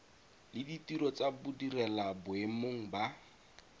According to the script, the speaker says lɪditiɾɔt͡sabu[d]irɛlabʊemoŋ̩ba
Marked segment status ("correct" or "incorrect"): correct